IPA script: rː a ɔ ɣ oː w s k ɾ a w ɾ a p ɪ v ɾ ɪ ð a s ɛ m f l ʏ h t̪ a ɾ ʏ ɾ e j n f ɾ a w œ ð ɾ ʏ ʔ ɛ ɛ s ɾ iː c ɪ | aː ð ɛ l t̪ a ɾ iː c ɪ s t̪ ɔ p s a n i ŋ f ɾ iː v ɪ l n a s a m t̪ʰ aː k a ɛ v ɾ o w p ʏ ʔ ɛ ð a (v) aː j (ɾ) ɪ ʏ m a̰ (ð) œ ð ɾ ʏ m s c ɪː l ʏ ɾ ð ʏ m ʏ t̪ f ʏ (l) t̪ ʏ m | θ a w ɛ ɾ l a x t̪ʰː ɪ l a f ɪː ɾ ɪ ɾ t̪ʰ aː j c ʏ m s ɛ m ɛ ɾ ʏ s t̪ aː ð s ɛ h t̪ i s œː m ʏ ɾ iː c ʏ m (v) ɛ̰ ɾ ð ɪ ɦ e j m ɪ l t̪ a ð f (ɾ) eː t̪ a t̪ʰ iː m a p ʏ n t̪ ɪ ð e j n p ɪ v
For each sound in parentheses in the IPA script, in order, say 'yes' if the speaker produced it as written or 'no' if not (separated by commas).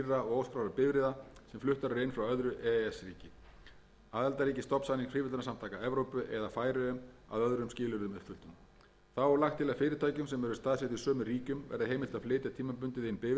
no, yes, yes, yes, yes, no